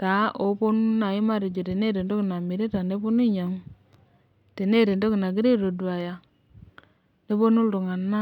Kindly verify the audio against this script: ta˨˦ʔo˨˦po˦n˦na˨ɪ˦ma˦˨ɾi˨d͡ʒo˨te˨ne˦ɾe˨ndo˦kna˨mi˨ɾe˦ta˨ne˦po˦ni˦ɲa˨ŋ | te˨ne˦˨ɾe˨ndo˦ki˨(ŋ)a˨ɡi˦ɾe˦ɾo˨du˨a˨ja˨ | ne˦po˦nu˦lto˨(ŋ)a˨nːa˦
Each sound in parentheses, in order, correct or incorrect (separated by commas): incorrect, correct